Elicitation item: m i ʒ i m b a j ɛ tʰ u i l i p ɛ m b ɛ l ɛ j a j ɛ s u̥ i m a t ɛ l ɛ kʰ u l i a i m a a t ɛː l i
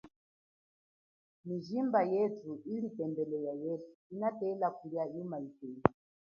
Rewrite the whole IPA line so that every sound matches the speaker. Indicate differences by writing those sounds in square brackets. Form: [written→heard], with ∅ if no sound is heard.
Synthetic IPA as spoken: m i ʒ i m b a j ɛ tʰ u i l i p ɛ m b ɛ l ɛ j a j ɛ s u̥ i [m→n] a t ɛ l [ɛ→a] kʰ u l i a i m a [a→i] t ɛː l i